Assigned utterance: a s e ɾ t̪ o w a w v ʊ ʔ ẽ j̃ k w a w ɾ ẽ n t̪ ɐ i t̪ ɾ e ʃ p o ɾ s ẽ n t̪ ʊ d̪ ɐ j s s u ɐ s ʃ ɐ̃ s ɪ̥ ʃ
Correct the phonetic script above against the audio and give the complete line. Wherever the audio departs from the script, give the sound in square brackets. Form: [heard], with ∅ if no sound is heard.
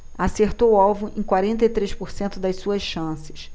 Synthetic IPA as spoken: a s e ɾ t̪ o w a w v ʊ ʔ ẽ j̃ k w a [∅] ɾ ẽ n t̪ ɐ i t̪ ɾ e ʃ p o ɾ s ẽ n t̪ ʊ d̪ ɐ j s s u ɐ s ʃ ɐ̃ s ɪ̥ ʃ